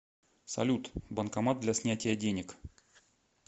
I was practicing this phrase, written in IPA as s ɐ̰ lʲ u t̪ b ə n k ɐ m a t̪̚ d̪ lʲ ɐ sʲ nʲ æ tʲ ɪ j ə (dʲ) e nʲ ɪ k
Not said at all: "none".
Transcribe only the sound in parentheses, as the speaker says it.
dʲ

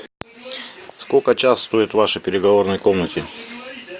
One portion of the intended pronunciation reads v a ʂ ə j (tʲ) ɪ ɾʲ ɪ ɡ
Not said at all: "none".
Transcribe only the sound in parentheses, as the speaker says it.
pʲ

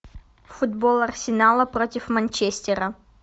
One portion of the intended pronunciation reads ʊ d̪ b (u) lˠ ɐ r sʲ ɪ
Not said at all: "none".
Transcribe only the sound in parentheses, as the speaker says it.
o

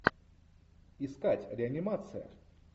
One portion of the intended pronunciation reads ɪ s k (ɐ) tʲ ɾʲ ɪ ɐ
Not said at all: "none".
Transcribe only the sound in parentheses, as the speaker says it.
a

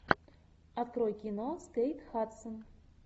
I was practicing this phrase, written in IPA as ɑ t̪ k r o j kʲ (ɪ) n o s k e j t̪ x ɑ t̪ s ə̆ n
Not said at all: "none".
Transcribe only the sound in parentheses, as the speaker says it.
i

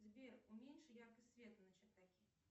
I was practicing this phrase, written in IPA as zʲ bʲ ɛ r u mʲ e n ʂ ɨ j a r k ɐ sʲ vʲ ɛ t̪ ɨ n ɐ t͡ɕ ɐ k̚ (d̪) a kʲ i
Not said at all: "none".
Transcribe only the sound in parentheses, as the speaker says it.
t̪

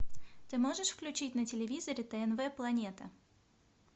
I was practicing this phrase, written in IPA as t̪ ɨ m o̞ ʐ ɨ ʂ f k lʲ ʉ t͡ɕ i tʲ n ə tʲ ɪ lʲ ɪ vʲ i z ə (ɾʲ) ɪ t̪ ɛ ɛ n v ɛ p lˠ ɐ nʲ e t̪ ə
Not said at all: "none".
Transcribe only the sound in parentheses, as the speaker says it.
ɾʲ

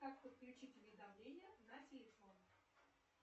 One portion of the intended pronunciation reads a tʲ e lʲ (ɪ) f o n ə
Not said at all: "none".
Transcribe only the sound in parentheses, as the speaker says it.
ɪ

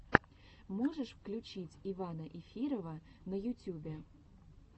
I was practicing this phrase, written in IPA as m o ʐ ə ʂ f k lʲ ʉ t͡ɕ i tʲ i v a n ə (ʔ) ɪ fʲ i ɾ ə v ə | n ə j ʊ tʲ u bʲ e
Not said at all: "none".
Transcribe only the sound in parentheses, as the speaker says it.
ʔ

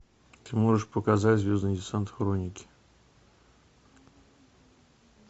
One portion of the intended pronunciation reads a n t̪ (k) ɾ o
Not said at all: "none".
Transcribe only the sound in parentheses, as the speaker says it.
x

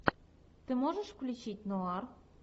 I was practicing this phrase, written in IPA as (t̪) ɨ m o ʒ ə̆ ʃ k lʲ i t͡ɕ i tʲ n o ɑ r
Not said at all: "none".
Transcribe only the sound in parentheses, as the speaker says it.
t̪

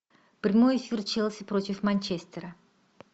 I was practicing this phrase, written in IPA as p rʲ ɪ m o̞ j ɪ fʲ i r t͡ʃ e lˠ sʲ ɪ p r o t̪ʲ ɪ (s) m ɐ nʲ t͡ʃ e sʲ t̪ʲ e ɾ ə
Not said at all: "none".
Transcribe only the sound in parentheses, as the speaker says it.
f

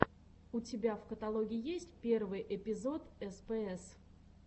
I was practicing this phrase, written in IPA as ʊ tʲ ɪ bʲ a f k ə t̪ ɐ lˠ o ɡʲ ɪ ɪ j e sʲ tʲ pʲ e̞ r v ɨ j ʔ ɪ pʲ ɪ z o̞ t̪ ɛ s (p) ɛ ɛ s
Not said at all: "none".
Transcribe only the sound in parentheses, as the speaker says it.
p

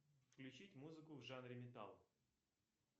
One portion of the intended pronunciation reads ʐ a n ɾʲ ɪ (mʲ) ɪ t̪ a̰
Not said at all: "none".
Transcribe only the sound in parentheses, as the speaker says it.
mʲ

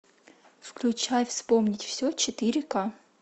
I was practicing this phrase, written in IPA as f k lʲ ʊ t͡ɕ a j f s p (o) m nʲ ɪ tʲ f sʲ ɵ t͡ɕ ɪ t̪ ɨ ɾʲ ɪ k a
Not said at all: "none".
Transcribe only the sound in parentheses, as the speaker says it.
o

